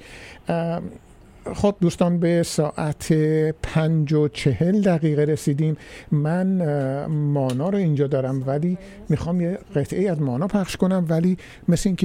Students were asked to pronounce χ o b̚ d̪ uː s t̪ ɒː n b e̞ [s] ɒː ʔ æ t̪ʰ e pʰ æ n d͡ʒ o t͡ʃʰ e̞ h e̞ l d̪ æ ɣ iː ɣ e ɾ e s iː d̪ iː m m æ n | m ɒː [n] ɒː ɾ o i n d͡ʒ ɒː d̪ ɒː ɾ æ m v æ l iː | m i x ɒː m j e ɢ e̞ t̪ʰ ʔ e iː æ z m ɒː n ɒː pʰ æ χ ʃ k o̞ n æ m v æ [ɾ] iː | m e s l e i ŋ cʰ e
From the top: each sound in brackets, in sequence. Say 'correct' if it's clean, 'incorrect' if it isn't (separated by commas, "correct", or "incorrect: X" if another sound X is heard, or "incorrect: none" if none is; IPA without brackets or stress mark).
correct, correct, incorrect: l